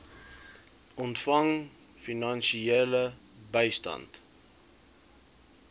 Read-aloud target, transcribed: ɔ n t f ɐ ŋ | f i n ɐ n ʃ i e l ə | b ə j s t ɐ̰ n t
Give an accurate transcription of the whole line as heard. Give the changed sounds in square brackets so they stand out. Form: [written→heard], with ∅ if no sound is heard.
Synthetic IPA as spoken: ɔ n t f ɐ ŋ | f i n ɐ n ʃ i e l ə | b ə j s t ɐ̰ n t